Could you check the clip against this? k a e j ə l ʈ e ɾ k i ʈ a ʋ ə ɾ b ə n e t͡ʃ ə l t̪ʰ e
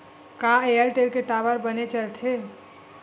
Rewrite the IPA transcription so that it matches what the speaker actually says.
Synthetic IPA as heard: k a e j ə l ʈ e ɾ k e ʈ a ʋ ə ɾ b ə n e t͡ʃ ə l t̪ʰ e